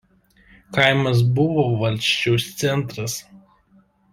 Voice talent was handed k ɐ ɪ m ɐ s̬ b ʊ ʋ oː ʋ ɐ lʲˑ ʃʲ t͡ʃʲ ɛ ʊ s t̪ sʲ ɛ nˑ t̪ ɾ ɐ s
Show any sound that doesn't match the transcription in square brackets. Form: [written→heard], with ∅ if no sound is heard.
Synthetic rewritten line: k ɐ ɪ m ɐ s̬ b ʊ ʋ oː ʋ ɐ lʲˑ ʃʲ t͡ʃʲ ɛ ʊ s t̪ sʲ ɛ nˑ t̪ ɾ ɐ s